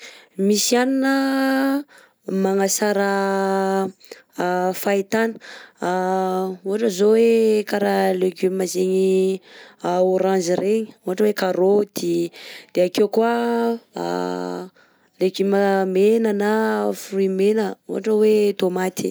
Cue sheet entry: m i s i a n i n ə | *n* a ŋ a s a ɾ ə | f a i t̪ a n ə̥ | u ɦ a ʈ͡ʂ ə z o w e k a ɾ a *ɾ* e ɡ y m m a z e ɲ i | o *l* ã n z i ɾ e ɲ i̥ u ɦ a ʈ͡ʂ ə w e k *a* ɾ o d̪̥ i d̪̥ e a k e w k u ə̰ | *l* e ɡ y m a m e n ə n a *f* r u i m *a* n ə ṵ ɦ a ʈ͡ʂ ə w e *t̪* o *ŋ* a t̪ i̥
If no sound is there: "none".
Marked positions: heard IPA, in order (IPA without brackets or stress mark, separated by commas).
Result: m, l, ɾ, a, l, f, e, t̪, m